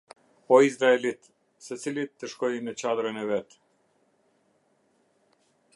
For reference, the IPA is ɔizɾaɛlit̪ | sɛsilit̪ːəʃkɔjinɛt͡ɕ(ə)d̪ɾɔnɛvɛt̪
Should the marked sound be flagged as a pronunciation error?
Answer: yes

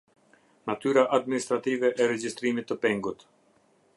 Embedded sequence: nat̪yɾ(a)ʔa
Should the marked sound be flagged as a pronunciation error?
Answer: no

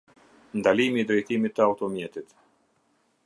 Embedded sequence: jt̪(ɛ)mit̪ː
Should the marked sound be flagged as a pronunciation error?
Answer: yes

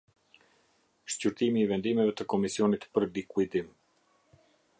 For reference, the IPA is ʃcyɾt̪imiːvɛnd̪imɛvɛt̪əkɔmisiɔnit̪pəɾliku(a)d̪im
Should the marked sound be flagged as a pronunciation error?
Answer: yes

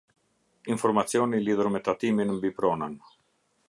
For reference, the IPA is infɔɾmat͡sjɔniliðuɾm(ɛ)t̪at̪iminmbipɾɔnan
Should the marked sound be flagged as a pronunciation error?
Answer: no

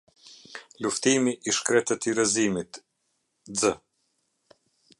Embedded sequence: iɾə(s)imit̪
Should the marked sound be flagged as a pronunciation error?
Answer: yes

